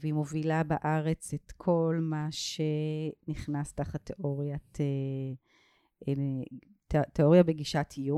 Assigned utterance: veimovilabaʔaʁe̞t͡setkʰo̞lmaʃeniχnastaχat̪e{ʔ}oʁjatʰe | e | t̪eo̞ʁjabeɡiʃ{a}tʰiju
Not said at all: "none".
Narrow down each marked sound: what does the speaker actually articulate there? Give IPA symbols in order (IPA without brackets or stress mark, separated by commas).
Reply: ʔ, a